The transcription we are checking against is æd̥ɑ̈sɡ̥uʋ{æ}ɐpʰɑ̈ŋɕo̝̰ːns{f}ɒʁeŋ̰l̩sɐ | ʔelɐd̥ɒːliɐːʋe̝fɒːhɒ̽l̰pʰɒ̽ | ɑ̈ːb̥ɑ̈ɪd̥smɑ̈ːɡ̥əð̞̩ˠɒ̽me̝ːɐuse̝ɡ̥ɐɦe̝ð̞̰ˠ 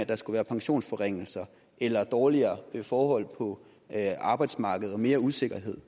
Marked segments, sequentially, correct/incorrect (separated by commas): incorrect, correct